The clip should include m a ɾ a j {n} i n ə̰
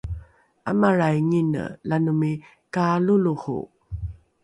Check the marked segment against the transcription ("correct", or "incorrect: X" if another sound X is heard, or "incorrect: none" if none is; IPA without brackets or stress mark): incorrect: ŋ